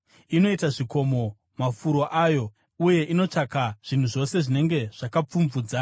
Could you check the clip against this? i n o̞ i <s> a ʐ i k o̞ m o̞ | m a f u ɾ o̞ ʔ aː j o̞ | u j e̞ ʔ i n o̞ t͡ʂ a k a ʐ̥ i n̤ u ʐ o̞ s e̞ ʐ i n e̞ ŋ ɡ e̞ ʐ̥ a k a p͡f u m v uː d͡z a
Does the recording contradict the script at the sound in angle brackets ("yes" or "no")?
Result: yes